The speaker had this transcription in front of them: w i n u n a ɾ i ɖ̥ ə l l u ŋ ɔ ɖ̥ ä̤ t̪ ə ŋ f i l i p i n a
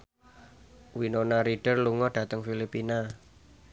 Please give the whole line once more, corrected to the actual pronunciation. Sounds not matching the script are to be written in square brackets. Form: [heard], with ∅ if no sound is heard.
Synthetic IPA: w i n [o] n a ɾ i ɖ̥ ə [r] l u ŋ ɔ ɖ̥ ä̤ t̪ ə ŋ f i l i p i n a